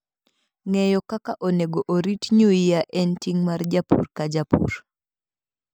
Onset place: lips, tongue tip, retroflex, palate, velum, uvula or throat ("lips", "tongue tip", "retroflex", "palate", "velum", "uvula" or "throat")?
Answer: velum